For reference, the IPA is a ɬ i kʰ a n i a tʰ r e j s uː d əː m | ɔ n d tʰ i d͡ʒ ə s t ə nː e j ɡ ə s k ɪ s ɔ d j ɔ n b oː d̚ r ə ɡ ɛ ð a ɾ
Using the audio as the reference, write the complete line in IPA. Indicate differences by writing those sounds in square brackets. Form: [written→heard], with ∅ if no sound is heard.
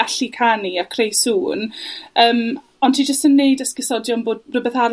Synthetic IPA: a ɬ i kʰ a n i a [tʰ→kʰ] r e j s uː [d→n] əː m | ɔ n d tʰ i d͡ʒ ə s t ə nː e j [ɡ→d] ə s k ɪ s ɔ d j ɔ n b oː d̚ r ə [ɡ→b] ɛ [ð→θ] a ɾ